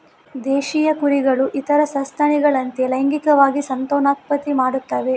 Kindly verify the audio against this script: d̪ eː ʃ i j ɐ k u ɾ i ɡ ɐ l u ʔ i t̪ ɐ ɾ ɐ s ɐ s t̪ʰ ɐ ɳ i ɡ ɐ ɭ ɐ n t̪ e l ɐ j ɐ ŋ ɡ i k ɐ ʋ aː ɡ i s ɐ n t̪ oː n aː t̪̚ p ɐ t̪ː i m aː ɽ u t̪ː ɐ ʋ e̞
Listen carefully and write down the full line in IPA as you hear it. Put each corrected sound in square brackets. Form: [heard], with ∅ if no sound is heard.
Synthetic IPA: d̪ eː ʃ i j ɐ k u ɾ i ɡ ɐ [ɭ] u ʔ i t̪ ɐ ɾ ɐ s ɐ s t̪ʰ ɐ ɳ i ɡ ɐ ɭ ɐ n t̪ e l ɐ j ɐ ŋ ɡ i k ɐ ʋ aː ɡ i s ɐ n t̪ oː n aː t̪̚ p ɐ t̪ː i m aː ɽ u t̪ː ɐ ʋ e̞